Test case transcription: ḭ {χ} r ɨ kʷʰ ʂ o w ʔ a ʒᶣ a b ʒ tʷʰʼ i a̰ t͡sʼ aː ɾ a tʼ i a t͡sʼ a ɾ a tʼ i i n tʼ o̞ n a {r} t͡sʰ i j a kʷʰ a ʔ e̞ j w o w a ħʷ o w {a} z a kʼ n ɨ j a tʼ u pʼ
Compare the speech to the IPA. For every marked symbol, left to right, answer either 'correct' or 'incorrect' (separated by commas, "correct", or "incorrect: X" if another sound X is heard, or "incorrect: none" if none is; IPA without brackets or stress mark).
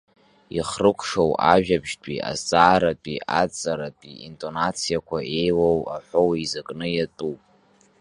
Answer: correct, incorrect: none, incorrect: i